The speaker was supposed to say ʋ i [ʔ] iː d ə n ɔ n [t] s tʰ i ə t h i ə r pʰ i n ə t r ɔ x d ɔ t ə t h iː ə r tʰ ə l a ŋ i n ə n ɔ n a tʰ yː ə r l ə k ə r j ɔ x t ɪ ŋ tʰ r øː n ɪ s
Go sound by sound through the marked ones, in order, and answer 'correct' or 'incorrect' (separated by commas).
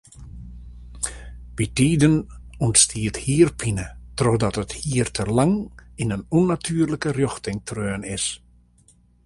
incorrect, correct